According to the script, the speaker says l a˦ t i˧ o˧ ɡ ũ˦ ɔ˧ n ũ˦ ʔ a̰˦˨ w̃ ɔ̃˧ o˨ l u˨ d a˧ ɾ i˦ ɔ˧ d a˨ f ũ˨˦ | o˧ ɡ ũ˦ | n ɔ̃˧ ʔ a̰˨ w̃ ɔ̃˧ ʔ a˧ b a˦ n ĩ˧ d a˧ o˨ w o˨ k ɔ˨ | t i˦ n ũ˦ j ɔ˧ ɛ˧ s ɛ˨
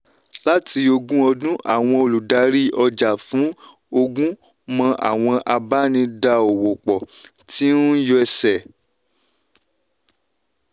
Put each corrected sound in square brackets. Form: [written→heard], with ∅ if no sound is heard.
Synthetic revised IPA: l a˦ t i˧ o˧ ɡ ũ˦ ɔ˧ [n→d] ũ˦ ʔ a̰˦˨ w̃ ɔ̃˧ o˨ l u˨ d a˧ ɾ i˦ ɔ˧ [d→d͡ʒ] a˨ f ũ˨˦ | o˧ ɡ ũ˦ | [n→m] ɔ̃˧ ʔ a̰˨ w̃ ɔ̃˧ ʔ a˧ b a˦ n ĩ˧ d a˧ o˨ w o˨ [k→k͡p] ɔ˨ | t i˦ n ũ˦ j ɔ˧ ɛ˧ s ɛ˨